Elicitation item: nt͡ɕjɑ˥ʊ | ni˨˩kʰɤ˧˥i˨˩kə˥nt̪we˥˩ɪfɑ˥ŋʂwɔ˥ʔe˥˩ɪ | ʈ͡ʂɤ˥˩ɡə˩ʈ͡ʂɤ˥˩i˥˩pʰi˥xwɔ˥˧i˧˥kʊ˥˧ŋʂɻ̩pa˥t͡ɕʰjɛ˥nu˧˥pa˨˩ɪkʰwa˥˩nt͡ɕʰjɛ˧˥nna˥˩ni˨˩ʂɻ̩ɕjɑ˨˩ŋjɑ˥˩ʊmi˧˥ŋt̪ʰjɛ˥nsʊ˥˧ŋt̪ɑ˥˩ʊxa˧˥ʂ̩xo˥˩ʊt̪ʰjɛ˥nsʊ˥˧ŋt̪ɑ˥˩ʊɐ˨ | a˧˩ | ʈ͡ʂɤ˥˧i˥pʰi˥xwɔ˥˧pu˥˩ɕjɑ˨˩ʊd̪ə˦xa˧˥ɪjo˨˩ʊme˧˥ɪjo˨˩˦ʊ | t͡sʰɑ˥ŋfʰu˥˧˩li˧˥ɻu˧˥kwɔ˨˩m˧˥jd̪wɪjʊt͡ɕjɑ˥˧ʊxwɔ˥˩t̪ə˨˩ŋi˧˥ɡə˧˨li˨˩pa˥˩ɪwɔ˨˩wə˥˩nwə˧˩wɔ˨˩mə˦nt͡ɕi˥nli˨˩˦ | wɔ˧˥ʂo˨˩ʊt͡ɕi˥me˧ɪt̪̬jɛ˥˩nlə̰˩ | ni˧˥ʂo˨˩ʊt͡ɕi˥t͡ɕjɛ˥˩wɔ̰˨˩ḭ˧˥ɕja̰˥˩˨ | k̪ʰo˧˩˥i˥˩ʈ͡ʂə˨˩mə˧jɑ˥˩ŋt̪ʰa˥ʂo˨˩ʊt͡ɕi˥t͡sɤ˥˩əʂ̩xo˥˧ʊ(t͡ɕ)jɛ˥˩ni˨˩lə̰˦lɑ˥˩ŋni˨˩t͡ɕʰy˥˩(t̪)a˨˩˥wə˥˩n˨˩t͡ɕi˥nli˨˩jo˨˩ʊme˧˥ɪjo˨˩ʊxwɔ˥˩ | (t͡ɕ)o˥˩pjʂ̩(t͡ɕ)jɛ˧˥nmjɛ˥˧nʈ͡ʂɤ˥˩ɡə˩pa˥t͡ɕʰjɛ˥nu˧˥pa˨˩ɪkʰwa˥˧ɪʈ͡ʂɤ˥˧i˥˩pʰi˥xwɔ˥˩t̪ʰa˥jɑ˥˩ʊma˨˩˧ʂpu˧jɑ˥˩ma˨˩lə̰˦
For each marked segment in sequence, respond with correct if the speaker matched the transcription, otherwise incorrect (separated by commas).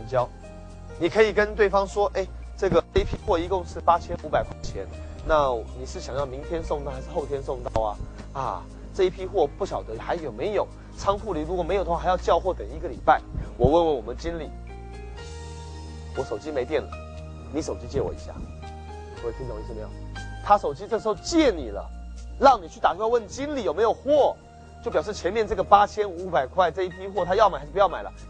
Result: correct, correct, correct, incorrect